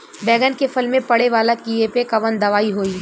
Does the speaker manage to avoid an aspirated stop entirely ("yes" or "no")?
yes